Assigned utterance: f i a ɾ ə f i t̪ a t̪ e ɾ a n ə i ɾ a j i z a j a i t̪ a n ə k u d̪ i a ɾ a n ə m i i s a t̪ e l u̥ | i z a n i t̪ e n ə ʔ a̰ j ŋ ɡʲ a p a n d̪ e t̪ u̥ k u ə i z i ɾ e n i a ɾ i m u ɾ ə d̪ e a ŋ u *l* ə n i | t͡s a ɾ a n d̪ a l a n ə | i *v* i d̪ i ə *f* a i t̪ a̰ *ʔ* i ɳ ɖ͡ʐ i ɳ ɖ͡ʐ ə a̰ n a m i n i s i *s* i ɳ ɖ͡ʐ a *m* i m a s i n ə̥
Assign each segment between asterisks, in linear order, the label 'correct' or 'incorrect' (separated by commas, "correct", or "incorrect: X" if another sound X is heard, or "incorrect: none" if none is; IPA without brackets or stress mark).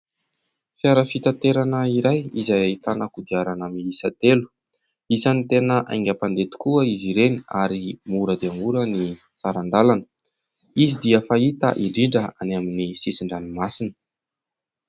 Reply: incorrect: ɾ, incorrect: z, correct, correct, correct, incorrect: n